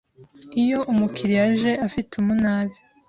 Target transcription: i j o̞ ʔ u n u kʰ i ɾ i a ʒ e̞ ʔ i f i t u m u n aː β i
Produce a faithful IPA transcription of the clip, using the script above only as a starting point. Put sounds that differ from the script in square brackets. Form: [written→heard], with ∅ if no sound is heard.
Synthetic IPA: i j o̞ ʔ u [n→m] u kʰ i ɾ i a ʒ e̞ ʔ [i→a] f i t u m u n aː β i